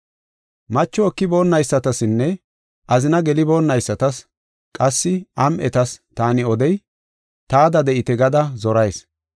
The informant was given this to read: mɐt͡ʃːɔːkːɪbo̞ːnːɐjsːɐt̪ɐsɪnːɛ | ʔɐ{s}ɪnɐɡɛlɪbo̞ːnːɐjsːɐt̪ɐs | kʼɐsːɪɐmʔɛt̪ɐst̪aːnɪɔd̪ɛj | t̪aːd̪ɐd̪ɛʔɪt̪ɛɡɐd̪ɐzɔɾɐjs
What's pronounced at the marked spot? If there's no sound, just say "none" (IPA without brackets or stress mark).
z